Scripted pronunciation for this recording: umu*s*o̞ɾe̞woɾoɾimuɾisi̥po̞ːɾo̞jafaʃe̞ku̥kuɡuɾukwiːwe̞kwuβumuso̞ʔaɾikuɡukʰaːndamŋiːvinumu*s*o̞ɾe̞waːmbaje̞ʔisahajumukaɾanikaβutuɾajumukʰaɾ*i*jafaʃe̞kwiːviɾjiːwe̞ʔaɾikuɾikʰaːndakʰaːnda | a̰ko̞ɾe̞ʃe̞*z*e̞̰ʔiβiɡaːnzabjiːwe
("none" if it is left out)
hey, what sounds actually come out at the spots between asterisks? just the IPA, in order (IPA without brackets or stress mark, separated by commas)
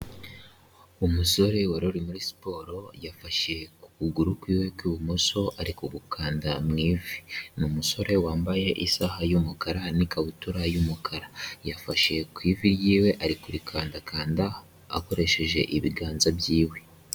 s, s, a, ʒ